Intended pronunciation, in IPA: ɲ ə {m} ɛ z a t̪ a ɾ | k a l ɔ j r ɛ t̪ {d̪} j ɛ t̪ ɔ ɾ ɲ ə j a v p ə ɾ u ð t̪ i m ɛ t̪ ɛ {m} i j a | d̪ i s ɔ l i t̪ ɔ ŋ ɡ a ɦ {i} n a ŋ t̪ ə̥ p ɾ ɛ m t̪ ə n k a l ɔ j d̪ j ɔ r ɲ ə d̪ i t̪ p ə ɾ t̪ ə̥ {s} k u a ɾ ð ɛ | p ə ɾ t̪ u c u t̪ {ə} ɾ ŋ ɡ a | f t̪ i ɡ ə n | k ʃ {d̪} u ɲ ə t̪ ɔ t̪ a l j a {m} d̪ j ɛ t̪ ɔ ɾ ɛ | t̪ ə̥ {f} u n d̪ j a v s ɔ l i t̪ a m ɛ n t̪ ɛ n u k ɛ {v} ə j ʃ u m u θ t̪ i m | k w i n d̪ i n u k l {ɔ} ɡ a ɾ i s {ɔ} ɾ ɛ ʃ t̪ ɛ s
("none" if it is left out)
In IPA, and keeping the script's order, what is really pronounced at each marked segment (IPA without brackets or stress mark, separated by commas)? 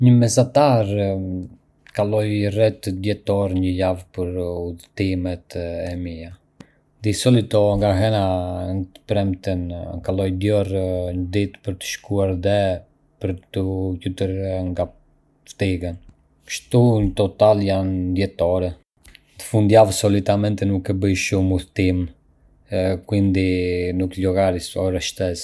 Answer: m, d̪, m, ɛ, ʃ, ə, t̪, n, f, b, ɔ, ɔ